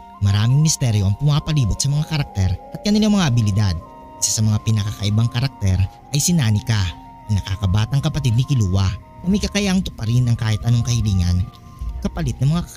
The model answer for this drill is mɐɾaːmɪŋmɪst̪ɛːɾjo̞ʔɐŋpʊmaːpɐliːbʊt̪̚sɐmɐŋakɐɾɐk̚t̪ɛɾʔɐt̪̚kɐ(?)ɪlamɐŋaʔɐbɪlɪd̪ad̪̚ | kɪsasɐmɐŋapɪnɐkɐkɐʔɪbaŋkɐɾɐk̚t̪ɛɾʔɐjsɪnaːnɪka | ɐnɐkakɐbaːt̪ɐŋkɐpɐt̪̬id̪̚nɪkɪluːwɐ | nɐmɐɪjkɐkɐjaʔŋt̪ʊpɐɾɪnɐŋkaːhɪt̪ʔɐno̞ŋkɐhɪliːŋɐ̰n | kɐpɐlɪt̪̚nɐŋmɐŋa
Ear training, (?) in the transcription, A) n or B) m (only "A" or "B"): A